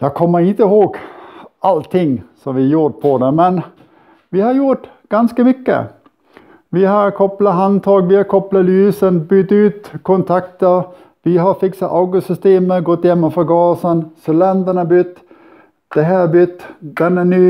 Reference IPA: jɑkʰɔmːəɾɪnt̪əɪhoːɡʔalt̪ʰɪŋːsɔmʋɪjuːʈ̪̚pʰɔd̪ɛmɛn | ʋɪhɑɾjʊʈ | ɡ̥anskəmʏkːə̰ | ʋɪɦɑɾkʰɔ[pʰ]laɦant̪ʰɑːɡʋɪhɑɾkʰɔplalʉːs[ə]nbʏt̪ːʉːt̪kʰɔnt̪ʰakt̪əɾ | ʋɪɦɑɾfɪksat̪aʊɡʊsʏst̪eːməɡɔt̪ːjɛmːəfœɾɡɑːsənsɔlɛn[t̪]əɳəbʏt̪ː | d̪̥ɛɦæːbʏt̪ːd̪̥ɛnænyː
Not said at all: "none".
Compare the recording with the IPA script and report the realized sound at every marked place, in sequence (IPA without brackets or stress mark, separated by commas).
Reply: p, ə, d̪